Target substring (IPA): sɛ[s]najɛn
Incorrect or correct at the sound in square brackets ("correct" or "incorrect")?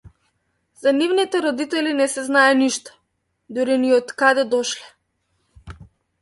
incorrect